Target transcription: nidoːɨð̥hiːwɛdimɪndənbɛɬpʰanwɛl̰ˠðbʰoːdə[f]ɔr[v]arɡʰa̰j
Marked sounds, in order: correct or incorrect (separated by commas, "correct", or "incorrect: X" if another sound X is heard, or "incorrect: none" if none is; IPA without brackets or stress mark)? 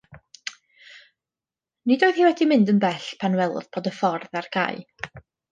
correct, incorrect: ð